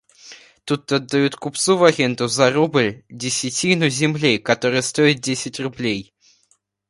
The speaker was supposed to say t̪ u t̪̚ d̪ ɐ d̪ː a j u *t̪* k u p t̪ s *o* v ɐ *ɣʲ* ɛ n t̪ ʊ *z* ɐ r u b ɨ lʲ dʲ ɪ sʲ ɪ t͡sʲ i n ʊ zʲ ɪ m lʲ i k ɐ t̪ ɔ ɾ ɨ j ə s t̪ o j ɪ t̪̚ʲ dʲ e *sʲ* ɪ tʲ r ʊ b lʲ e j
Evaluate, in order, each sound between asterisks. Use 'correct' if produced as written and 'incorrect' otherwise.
correct, incorrect: u, correct, correct, correct

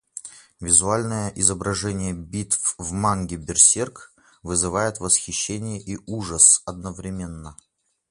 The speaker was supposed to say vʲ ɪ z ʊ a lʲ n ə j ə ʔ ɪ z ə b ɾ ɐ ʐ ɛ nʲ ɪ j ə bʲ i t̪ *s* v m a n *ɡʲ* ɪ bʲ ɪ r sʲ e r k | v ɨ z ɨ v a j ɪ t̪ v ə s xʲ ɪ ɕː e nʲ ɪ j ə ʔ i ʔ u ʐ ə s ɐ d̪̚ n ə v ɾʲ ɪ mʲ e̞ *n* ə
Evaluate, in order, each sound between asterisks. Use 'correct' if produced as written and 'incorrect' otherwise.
incorrect: f, correct, incorrect: nː

